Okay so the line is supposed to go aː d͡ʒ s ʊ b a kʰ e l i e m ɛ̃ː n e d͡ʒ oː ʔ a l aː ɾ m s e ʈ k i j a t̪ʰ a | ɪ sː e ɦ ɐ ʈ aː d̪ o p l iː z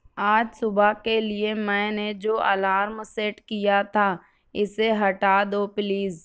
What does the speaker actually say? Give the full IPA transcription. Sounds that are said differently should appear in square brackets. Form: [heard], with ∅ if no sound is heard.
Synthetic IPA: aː d͡ʒ s ʊ b a [k] e l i e m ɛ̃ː n e d͡ʒ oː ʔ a l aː ɾ m s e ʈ k i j a t̪ʰ a | ɪ [s] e ɦ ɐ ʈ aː d̪ o p l iː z